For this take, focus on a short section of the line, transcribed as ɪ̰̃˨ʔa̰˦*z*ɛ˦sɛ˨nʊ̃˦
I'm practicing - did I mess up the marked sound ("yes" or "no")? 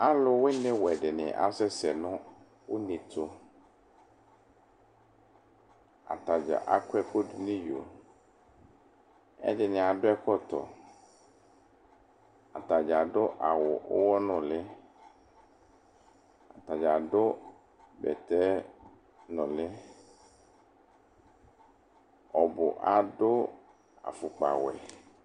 yes